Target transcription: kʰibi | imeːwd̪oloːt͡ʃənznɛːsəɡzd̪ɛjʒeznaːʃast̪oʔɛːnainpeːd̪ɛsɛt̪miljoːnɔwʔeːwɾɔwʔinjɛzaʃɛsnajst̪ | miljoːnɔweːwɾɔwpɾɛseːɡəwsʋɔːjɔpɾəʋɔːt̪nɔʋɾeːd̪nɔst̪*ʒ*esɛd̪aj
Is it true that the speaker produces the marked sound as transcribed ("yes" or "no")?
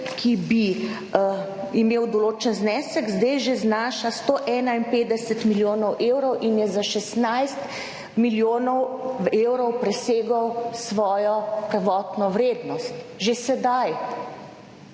yes